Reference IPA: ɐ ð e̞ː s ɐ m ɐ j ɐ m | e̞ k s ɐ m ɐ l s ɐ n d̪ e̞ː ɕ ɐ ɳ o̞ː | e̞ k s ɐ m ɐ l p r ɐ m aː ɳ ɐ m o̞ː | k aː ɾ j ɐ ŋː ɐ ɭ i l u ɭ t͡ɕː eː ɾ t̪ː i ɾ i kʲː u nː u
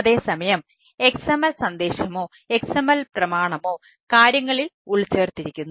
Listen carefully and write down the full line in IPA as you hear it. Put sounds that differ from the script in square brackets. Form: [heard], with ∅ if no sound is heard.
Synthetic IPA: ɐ ð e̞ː s ɐ m ɐ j ɐ m | e̞ k s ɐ m ɐ l s ɐ n d̪ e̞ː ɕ ɐ [m] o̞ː | e̞ k s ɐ m ɐ l p r ɐ m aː ɳ ɐ m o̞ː | k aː ɾ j ɐ ŋː ɐ ɭ i l u ɭ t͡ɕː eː [r] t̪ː i ɾ i kʲː u nː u